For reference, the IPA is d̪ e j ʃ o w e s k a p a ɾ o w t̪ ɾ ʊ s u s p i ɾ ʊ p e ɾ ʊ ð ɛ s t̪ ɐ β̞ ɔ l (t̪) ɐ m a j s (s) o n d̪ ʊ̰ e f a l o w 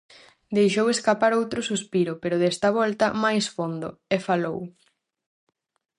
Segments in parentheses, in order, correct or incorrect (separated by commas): correct, incorrect